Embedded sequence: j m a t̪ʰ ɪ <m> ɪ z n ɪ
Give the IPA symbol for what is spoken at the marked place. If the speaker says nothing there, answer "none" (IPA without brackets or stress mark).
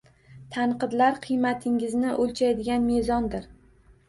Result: ŋ